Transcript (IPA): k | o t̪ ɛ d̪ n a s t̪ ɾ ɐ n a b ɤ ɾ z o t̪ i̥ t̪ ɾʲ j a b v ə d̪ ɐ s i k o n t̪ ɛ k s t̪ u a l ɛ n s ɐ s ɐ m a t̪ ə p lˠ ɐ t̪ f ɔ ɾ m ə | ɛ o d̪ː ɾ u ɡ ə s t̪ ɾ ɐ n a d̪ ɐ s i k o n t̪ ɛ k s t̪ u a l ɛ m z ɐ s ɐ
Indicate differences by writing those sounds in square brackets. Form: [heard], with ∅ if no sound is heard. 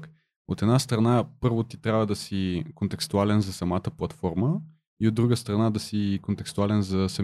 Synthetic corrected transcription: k | o t̪ ɛ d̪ n a s t̪ ɾ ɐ n a [p] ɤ ɾ [v] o t̪ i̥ t̪ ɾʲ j a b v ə d̪ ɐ s i k o n t̪ ɛ k s t̪ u a l ɛ n [z] ɐ s ɐ m a t̪ ə p lˠ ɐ t̪ f ɔ ɾ m ə | [i] o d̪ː ɾ u ɡ ə s t̪ ɾ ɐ n a d̪ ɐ s i k o n t̪ ɛ k s t̪ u a l ɛ [n] z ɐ s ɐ